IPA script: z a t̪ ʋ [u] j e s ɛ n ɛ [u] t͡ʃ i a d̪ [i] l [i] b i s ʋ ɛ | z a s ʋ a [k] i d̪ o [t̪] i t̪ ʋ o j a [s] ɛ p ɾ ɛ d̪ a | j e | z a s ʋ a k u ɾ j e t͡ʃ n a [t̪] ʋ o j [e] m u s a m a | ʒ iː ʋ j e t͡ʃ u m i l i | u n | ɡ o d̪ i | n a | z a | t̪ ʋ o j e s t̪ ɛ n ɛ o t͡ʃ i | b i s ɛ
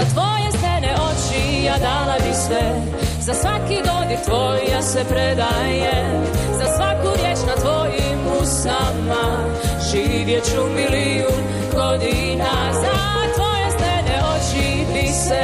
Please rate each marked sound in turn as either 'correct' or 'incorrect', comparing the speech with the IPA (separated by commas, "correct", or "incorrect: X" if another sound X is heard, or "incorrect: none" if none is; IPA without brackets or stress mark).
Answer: incorrect: o, incorrect: o, incorrect: a, incorrect: a, correct, incorrect: d̪, correct, correct, incorrect: i